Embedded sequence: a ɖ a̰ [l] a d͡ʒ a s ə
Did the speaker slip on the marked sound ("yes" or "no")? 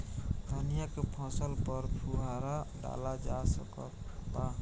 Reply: no